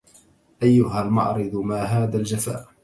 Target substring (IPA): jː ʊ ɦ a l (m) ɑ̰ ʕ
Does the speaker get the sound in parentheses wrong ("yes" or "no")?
no